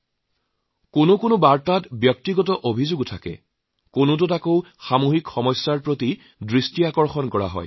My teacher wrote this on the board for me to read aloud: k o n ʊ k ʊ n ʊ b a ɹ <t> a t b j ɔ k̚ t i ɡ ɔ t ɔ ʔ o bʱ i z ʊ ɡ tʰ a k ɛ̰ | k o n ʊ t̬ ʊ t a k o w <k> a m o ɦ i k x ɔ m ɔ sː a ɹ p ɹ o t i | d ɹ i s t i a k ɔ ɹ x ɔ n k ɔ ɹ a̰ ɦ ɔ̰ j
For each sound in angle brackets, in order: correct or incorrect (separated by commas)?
correct, incorrect